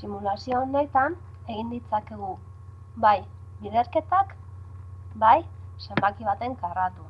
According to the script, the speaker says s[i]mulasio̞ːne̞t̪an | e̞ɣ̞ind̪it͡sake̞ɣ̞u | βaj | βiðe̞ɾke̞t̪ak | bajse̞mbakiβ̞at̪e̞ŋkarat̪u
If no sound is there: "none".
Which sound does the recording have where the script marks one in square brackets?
i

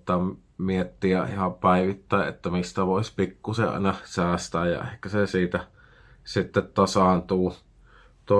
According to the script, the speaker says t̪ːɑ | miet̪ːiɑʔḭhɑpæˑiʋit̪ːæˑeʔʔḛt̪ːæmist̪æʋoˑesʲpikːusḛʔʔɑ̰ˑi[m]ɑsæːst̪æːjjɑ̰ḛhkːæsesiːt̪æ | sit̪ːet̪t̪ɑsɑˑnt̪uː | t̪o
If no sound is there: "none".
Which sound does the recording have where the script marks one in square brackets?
n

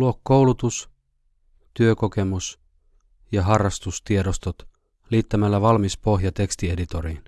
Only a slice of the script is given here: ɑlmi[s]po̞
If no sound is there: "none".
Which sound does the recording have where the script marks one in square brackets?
s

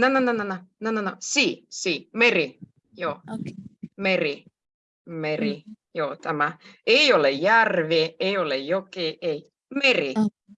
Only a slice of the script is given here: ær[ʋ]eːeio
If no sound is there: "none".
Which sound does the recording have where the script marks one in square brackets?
ʋ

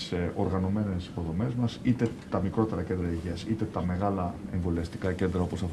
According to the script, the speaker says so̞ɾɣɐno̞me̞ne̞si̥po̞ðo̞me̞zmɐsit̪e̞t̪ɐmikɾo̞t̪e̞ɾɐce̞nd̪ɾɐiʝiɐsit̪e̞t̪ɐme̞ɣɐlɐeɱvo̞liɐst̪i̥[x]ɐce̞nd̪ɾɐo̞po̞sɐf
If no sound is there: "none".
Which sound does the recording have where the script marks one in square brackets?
k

